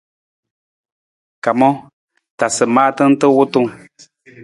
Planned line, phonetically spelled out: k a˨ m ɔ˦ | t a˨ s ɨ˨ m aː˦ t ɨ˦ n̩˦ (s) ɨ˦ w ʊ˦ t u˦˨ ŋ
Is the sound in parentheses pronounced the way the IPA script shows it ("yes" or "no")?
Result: no